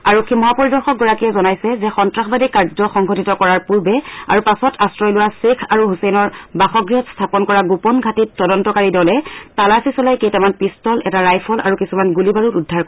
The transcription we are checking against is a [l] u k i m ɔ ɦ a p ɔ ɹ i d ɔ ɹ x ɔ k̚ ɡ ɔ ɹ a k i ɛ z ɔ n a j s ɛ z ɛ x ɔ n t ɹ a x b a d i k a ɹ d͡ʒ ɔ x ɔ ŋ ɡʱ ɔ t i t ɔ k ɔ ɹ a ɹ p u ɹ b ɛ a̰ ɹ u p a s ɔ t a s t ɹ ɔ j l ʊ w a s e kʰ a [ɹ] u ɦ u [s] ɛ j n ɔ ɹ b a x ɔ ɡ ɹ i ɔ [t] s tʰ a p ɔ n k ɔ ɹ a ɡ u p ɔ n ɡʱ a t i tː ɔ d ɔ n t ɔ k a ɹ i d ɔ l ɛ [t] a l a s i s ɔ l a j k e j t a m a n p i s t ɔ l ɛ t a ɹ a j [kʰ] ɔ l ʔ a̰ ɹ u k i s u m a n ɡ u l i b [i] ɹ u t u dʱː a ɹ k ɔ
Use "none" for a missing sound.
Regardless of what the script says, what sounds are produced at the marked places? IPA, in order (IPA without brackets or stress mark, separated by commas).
ɹ, ɹ, s, t, t, pʰ, a